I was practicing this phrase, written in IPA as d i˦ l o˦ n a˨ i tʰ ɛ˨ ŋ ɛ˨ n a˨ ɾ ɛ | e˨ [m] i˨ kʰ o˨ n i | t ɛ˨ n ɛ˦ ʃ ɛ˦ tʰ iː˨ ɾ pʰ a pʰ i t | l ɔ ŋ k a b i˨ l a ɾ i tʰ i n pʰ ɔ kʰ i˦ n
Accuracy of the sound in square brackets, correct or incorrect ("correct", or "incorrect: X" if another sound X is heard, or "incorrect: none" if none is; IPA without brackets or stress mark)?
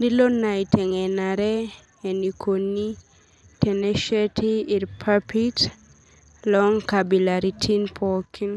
incorrect: n